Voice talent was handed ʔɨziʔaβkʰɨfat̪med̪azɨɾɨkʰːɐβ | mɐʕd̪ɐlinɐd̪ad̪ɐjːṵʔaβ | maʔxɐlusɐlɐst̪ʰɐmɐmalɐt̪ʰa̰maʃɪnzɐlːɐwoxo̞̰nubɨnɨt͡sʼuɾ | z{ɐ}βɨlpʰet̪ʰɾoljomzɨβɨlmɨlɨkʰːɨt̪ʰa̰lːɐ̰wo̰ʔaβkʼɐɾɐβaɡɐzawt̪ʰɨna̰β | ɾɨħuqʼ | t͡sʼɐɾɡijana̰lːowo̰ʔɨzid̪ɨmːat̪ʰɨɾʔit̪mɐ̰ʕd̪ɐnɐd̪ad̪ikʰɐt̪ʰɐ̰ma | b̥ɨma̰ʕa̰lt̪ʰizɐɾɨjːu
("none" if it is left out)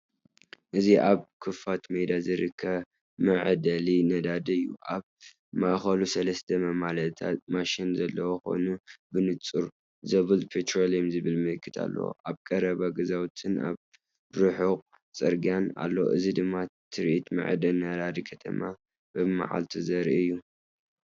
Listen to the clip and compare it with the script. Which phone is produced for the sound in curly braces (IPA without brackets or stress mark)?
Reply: ɐ